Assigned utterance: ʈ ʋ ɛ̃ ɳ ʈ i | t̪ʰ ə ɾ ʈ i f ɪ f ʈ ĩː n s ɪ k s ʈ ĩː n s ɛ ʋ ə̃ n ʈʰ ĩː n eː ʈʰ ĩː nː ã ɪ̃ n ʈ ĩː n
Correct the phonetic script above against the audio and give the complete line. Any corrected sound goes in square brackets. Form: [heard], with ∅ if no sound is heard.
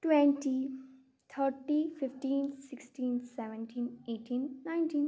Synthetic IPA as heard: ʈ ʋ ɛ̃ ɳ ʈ i | t̪ʰ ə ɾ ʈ i f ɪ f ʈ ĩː n s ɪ k s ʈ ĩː n s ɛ ʋ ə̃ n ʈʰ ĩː n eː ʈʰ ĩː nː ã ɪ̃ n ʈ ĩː n